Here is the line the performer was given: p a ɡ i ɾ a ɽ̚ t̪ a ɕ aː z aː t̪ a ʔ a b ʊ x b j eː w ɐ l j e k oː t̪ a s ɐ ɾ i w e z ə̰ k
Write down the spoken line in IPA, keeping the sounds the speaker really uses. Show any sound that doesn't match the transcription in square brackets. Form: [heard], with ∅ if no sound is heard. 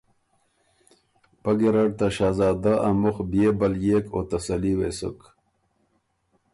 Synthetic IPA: p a ɡ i ɾ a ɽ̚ t̪ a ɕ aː z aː [d̪] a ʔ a [m] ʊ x b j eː [b] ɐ l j e k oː t̪ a s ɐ [l] i w e [s] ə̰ k